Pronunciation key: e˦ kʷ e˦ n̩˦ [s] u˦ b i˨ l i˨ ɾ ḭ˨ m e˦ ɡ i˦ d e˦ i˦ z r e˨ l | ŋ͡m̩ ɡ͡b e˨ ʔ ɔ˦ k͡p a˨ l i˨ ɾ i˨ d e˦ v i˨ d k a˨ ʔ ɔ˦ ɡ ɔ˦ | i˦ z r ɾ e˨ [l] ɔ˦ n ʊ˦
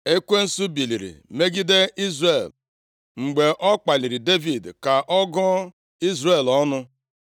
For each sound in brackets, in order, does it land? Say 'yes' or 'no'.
yes, yes

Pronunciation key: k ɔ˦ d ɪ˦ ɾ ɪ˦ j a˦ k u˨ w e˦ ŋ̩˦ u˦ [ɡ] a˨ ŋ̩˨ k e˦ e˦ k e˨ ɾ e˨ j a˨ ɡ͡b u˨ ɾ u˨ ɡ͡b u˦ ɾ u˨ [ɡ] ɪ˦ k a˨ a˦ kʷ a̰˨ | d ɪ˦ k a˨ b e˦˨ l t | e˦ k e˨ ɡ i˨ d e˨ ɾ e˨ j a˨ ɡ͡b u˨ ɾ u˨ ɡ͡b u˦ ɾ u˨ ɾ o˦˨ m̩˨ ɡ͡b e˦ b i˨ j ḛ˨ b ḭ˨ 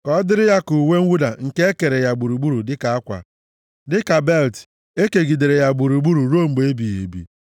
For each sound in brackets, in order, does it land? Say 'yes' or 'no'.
no, no

